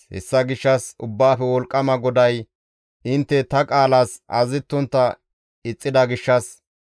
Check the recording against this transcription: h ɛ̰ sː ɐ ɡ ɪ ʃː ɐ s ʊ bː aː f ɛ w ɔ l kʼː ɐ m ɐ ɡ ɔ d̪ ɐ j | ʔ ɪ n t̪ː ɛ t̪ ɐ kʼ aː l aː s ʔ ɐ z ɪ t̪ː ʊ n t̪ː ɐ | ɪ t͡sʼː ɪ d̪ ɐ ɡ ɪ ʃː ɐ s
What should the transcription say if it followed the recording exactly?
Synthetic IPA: h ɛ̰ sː ɐ ɡ ɪ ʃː ɐ s ʊ bː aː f ɛ w ɔ l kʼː ɐ m ɐ ɡ ɔ d̪ ɐ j | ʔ ɪ n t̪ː ɛ t̪ ɐ kʼ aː l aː s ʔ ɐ z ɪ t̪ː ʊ n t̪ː ɐ | ɪ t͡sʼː ɪ d̪ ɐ ɡ ɪ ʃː ɐ s